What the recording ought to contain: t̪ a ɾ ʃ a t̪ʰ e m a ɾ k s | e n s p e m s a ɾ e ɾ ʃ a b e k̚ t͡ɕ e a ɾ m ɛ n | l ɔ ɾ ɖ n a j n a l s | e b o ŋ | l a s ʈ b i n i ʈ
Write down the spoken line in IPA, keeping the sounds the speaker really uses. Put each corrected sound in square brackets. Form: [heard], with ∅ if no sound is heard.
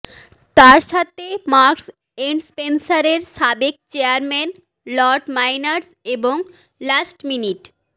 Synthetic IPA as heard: t̪ a ɾ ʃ a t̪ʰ e m a ɾ k s | e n s p e [n] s a ɾ e ɾ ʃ a b e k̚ t͡ɕ e a ɾ m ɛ n | l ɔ ɾ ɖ [m] a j n a [ɾ] s | e b o ŋ | l a s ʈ [m] i n i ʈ